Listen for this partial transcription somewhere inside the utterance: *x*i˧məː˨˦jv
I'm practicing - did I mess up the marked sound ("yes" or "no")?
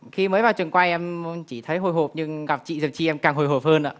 no